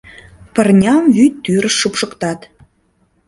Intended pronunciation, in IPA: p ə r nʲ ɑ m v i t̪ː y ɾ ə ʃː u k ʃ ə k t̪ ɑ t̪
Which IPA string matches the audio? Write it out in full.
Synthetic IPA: p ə r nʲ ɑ m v y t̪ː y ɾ ə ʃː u p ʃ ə k t̪ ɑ t̪